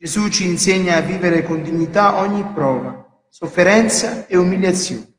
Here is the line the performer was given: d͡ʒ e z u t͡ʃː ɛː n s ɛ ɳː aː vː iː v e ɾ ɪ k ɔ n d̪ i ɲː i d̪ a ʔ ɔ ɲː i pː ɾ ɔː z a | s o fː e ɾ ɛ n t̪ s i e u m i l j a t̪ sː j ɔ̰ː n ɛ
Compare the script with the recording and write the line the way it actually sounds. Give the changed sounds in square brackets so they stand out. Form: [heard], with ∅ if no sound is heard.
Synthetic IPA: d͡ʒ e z u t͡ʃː [iː] n s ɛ [ɲː] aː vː iː v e ɾ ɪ k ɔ n d̪ i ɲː i [t̪] a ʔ ɔ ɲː i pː ɾ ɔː [v] a | s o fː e ɾ ɛ n t̪ s [a] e u m i l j a t̪ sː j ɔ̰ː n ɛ